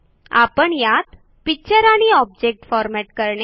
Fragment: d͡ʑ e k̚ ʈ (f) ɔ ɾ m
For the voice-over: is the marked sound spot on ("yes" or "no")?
yes